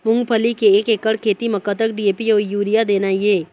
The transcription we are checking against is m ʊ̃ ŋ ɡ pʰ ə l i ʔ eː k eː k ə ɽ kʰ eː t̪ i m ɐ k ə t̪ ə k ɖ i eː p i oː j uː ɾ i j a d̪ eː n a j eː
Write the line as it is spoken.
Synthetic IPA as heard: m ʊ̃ ŋ ɡ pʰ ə l i k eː k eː k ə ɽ kʰ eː t̪ i m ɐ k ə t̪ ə k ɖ i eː p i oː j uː ɾ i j a d̪ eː n a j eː